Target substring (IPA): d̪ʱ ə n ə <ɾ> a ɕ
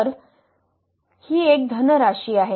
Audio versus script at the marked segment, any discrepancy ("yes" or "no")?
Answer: no